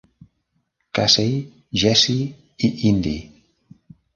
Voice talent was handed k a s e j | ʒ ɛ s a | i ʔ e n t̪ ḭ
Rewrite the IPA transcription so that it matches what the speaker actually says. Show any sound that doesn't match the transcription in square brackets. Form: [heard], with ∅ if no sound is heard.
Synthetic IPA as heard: k a s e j | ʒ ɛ s [i] | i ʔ [i] n [d̪] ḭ